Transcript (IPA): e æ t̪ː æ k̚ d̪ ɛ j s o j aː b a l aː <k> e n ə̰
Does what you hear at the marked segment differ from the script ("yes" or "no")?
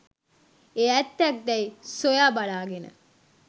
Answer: yes